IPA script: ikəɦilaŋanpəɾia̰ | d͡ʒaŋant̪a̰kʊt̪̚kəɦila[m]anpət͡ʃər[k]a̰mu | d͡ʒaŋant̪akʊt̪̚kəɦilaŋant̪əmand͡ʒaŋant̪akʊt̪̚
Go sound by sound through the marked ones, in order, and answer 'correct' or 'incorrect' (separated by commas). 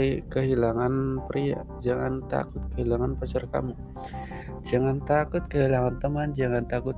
incorrect, correct